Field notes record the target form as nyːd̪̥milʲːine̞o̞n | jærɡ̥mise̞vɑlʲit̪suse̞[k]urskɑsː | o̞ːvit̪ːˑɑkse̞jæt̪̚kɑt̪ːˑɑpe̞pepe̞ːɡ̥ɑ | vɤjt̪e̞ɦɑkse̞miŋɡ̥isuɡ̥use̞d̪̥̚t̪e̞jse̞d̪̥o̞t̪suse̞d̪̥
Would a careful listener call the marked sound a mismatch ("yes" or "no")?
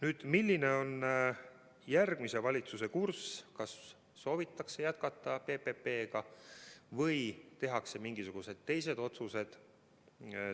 no